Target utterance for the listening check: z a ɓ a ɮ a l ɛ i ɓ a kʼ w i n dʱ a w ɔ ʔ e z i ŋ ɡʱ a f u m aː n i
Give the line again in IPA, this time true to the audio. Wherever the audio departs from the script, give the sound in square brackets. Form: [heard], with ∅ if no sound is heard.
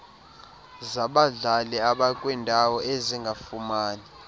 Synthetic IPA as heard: z a ɓ a ɮ a l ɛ [a] ɓ a kʼ w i n dʱ a w ɔ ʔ e z i ŋ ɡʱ a f u m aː n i